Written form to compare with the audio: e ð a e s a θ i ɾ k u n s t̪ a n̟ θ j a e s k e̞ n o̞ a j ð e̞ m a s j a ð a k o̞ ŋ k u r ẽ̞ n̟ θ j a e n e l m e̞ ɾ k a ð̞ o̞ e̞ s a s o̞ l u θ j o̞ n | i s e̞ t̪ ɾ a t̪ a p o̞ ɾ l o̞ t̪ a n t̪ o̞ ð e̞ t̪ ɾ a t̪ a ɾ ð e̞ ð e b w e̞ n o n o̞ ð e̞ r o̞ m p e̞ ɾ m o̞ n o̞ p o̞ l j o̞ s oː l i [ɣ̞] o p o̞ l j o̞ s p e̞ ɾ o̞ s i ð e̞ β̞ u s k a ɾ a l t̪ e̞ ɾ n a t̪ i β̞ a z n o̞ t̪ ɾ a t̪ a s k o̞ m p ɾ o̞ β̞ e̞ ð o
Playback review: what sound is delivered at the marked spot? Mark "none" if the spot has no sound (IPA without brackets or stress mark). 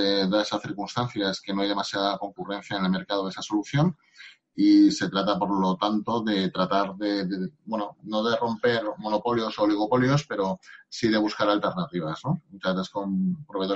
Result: ɣ̞